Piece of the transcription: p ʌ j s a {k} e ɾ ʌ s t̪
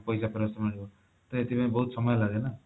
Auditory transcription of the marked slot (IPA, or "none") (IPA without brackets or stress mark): p